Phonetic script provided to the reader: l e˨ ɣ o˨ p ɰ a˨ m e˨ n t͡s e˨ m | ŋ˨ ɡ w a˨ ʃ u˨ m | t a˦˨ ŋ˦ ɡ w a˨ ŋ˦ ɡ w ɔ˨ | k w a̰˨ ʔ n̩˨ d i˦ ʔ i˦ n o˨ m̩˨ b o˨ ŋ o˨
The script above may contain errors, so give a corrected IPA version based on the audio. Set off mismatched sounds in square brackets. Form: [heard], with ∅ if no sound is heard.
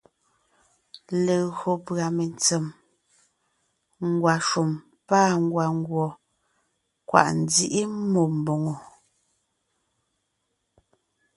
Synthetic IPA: l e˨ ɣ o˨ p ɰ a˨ m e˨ n t͡s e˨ m | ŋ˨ ɡ w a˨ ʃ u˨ m | [p] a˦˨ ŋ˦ ɡ w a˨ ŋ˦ ɡ w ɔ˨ | k w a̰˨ ʔ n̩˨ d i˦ ʔ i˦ [m] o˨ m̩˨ b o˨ ŋ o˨